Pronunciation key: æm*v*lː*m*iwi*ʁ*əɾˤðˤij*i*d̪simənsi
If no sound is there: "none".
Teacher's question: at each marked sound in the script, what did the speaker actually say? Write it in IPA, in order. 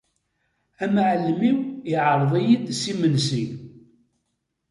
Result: ʕ, m, ʕ, i

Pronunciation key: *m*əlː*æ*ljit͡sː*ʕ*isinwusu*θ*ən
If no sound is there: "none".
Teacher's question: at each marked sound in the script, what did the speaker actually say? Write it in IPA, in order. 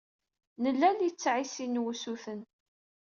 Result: n, æ, ʕ, θ

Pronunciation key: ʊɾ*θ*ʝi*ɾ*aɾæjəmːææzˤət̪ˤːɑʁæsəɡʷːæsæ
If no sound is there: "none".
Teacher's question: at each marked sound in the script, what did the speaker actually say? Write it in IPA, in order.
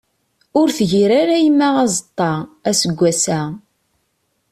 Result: θ, ɾ

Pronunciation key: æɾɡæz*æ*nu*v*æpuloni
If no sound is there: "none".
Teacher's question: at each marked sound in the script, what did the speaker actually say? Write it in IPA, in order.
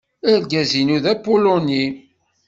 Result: i, ð

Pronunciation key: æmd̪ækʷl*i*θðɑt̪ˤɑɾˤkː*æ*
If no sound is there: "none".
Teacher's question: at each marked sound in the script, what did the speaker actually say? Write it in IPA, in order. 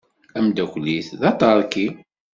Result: i, i

